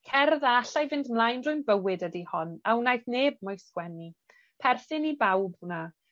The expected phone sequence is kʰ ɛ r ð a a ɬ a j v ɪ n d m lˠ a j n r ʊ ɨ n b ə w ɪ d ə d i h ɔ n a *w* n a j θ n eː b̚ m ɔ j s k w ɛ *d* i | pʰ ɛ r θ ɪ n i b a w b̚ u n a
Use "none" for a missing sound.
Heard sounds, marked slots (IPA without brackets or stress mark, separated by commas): w, n